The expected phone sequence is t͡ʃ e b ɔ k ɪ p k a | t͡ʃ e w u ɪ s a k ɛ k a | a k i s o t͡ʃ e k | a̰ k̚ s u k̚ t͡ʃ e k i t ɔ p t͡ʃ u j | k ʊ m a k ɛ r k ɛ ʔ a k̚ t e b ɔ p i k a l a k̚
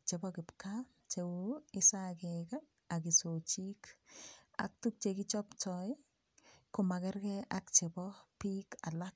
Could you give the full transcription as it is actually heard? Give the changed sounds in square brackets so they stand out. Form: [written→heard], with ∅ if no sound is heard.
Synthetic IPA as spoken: t͡ʃ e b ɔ k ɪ p k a | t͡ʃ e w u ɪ s a k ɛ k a | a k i s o t͡ʃ [e→i] k | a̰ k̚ [s→t] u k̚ t͡ʃ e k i [t→t͡ʃ] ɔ p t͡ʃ [u→ɔ] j | k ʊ m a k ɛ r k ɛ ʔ a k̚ [t→t͡ʃ] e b ɔ p i k a l a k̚